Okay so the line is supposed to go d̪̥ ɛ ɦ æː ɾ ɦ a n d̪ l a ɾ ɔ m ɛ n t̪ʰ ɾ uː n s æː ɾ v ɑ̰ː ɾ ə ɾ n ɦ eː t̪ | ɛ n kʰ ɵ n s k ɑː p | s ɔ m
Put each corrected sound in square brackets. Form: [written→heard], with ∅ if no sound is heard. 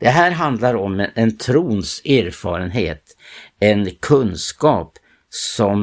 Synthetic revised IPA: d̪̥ ɛ ɦ æː ɾ ɦ a n d̪ l a ɾ ɔ m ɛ n t̪ʰ ɾ uː n s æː ɾ [v→f] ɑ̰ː ɾ ə [ɾ→∅] n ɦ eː t̪ | ɛ n kʰ ɵ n s k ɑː p | s ɔ m